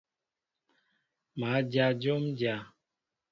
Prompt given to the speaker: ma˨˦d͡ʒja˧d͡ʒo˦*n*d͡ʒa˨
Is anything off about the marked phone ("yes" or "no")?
yes